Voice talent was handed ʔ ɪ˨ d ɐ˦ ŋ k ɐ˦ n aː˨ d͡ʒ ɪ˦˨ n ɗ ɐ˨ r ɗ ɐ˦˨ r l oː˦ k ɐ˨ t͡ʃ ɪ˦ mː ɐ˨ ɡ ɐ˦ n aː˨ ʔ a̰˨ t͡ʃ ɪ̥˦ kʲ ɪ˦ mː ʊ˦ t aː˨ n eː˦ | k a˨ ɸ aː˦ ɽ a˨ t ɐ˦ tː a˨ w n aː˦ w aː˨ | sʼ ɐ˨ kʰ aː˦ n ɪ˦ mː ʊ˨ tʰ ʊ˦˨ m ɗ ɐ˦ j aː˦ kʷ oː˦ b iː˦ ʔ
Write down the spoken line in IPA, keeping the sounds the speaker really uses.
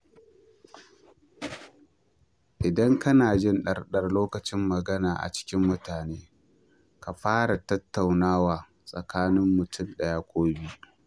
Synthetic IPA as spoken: ʔ ɪ˨ d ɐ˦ ŋ k ɐ˦ n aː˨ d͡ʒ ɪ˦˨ n ɗ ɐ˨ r ɗ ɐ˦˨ r l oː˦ k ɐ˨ t͡ʃ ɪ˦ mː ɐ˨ ɡ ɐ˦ n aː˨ ʔ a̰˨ t͡ʃ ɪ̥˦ kʲ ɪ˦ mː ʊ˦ t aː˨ n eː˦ | k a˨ ɸ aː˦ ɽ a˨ t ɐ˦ tː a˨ w n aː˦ w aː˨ | sʼ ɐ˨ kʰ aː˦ n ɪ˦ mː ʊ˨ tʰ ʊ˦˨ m ɗ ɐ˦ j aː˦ kʷ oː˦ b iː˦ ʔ